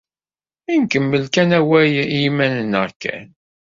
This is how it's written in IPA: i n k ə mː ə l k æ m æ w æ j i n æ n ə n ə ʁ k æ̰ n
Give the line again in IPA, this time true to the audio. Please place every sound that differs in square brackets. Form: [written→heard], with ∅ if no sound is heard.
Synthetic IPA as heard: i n k ə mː ə l k æ [m→n] æ w æ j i [n→m] æ n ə n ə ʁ k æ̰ n